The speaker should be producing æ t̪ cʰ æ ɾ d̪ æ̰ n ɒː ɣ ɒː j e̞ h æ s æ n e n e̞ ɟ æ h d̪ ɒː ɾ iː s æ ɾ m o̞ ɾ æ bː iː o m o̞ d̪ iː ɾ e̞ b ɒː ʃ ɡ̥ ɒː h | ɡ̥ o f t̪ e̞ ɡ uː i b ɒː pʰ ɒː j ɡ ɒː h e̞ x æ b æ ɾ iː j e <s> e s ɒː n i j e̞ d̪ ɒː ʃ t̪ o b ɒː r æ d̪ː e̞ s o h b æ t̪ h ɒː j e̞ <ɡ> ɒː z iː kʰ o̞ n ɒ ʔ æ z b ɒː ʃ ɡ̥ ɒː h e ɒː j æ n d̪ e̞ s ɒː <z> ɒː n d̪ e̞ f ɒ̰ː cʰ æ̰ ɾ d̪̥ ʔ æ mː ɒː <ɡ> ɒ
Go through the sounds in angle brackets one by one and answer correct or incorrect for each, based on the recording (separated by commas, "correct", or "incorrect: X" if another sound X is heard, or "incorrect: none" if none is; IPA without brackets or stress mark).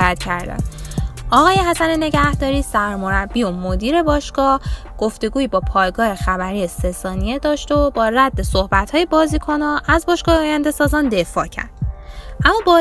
correct, incorrect: b, correct, incorrect: b